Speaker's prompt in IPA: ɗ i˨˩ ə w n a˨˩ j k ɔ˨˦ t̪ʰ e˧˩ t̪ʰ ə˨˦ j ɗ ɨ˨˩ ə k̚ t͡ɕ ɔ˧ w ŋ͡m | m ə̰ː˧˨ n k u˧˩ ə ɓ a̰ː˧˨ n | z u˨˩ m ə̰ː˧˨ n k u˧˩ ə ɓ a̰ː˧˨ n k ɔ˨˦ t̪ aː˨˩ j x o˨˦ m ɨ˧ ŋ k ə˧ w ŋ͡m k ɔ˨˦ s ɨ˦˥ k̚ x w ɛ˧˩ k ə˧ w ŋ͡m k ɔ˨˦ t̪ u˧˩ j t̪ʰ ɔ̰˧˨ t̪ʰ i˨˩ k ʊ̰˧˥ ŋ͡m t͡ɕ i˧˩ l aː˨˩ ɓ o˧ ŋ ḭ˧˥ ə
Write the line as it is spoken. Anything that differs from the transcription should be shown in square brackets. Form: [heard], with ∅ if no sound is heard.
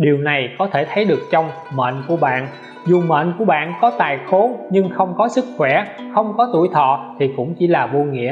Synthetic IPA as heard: ɗ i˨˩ ə w n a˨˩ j k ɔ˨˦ t̪ʰ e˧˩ t̪ʰ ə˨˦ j ɗ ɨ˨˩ ə k̚ t͡ɕ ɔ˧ w ŋ͡m | m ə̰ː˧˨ n k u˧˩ ə ɓ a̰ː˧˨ n | z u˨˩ m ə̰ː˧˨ n k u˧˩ ə ɓ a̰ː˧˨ n k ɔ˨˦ t̪ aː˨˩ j x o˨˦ [ɲ] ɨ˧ ŋ [x] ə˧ w ŋ͡m k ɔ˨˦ s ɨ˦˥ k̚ x w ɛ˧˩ [x] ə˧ w ŋ͡m k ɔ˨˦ t̪ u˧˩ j t̪ʰ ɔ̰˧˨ t̪ʰ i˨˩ k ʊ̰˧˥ ŋ͡m t͡ɕ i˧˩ l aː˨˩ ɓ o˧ ŋ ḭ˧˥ ə